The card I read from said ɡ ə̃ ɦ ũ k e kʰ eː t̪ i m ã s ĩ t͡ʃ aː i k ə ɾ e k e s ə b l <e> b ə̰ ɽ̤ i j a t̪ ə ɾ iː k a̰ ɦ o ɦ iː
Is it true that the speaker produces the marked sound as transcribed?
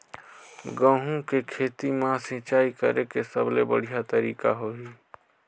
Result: yes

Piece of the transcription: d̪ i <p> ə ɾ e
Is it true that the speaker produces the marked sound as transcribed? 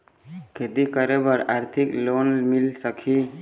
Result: no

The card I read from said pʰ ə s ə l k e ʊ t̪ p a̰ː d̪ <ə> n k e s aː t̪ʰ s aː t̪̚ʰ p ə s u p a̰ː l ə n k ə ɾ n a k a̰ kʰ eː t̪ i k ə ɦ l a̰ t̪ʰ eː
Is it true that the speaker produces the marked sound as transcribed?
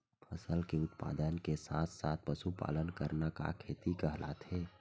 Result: yes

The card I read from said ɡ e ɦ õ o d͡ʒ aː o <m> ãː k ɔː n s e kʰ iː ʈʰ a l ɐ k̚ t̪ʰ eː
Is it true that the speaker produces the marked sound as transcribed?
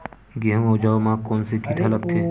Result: yes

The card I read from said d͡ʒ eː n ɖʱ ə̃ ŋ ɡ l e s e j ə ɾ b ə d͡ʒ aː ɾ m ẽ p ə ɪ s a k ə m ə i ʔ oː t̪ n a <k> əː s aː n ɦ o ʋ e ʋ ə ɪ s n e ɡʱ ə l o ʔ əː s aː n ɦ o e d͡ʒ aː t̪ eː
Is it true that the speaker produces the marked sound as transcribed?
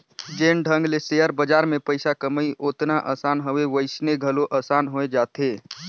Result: no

